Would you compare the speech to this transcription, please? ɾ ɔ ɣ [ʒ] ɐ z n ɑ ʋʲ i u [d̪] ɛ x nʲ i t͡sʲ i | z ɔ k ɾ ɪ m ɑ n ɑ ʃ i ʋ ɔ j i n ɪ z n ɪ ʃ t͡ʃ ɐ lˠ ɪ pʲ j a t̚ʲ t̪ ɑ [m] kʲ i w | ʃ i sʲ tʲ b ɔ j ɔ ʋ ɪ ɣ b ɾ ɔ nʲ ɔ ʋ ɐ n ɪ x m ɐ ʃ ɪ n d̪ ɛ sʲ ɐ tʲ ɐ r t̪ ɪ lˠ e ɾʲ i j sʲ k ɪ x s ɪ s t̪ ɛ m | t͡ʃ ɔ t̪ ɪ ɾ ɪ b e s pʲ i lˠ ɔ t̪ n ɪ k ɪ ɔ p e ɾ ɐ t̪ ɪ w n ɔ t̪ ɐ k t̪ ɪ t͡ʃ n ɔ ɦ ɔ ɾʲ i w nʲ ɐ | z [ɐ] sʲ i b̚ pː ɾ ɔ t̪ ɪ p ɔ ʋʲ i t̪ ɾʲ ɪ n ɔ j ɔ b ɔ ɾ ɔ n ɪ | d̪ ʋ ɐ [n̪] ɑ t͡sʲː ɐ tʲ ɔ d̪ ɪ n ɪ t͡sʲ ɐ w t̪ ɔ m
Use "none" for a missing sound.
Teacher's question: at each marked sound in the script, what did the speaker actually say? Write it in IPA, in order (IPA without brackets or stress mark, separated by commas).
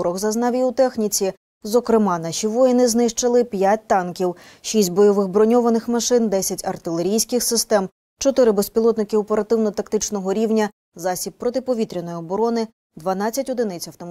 z, t̪, n, ɑ, n̪